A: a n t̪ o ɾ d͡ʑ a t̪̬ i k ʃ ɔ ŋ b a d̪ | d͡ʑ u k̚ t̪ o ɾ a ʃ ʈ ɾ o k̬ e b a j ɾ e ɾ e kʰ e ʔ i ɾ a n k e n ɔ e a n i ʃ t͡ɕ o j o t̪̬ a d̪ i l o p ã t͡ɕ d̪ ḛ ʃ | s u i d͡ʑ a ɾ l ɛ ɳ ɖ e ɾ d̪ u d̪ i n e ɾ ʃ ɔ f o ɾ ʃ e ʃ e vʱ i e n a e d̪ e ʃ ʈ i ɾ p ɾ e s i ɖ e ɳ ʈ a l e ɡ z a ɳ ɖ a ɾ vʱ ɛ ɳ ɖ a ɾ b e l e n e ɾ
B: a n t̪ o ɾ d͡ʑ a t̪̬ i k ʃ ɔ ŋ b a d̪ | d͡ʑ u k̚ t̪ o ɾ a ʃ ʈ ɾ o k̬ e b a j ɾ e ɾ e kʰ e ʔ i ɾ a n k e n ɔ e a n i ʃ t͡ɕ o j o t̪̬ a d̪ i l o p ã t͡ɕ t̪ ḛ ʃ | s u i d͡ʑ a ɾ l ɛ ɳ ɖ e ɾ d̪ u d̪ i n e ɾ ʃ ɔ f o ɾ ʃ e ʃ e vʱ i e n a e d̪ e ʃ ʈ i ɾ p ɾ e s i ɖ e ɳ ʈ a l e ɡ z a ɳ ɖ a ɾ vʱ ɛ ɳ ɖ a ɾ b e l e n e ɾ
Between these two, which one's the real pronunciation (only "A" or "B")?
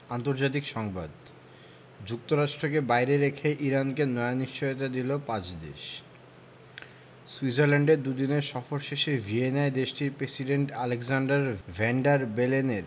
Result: A